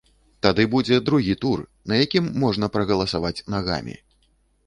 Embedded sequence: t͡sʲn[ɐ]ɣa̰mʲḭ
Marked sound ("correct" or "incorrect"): incorrect